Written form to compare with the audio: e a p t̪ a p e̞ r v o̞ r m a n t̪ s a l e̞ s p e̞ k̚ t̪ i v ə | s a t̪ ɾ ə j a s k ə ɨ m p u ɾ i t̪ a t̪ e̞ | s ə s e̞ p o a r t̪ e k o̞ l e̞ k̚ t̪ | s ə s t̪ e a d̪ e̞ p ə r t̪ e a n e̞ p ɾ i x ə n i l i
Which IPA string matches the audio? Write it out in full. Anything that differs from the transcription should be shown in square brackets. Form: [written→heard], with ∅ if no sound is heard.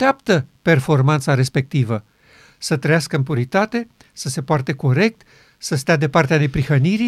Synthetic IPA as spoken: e a p t̪ [a→ə] p e̞ r [v→f] o̞ r m a n t̪ s a [l→ɾ] e̞ s p e̞ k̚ t̪ i v ə | s [a→ə] t̪ ɾ ə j a s k ə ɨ m p u ɾ i t̪ a t̪ e̞ | s ə s e̞ p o a r t̪ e k o̞ [l→ɾ] e̞ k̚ t̪ | s ə s t̪ e a d̪ e̞ p [ə→a] r t̪ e a n e̞ p ɾ i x ə n i [l→ɾ] i